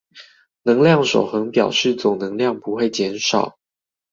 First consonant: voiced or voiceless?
voiced